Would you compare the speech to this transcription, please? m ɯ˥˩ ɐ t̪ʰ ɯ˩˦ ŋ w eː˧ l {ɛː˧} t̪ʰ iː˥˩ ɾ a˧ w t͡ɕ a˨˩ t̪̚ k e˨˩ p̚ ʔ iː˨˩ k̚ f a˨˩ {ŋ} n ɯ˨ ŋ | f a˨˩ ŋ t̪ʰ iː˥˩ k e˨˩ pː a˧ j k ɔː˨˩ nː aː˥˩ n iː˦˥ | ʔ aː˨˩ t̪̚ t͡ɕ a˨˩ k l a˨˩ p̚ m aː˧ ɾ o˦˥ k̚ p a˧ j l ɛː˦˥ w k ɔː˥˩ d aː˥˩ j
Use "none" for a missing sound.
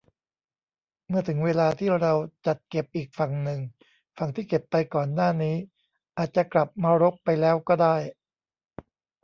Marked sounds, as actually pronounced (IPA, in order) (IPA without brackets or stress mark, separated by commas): aː˧, ŋ